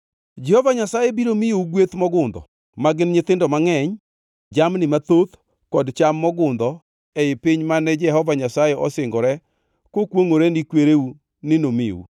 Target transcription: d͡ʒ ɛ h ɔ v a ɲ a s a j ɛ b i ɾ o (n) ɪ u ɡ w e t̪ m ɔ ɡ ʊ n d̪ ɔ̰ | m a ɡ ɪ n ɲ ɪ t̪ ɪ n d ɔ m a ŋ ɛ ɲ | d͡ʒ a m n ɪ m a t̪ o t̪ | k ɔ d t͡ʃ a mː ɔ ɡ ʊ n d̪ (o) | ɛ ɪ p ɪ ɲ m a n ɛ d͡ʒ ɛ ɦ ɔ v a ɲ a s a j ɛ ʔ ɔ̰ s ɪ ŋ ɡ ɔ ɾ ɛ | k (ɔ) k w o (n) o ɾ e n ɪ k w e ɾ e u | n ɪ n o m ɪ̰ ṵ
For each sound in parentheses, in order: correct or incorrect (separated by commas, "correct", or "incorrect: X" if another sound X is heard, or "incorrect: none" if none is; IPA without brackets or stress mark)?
incorrect: m, incorrect: ɔ, incorrect: o, incorrect: ŋ